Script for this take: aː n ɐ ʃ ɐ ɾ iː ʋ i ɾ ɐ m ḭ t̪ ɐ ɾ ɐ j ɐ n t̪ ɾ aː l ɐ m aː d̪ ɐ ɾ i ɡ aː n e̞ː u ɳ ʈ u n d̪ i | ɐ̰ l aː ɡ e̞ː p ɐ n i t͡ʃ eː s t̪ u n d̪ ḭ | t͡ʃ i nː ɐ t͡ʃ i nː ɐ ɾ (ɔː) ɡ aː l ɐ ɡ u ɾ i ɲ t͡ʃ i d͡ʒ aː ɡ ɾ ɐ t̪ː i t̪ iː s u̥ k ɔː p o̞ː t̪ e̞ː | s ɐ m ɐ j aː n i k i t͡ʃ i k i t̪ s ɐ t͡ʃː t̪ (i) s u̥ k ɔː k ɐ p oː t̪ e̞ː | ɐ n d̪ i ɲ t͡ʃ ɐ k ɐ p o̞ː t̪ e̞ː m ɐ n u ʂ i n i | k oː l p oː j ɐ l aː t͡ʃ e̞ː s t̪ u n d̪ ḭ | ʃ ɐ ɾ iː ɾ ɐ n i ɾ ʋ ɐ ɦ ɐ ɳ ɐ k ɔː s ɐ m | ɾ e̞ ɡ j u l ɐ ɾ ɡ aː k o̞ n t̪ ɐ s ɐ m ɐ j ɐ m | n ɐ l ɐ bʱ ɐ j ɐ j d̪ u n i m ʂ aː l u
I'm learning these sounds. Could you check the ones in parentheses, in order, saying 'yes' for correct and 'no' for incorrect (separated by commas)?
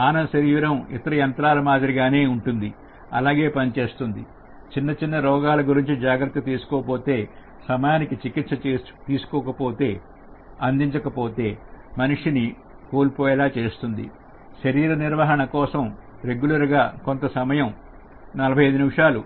yes, no